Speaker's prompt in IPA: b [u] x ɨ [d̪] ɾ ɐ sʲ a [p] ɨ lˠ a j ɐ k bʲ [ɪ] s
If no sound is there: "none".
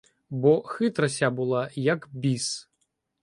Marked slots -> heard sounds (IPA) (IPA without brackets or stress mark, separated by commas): ɔ, t̪, b, i